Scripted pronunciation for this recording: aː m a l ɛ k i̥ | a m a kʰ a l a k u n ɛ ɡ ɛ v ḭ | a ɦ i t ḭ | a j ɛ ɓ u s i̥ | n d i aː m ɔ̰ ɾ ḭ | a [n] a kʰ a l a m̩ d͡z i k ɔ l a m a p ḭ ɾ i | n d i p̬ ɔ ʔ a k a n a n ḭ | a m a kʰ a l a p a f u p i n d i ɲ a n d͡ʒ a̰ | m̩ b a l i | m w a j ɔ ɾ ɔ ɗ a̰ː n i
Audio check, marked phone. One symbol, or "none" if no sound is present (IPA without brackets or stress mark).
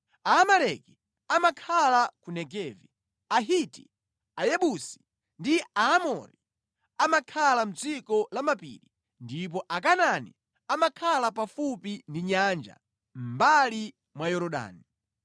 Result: m